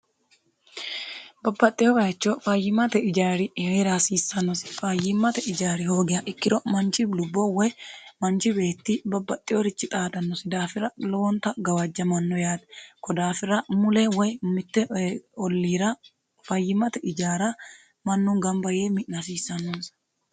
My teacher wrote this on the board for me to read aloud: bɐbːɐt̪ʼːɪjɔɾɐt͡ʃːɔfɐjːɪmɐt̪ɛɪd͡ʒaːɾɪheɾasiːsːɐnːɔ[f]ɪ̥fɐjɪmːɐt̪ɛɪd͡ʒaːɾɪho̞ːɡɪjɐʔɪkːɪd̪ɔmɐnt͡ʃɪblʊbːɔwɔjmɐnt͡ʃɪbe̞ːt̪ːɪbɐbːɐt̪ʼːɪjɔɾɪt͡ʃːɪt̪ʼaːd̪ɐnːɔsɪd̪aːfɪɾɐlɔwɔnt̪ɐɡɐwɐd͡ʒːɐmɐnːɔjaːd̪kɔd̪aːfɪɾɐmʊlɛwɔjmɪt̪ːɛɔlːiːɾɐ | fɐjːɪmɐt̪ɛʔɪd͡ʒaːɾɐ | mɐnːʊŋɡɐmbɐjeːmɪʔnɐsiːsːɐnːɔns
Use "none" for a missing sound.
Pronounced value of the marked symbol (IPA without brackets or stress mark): s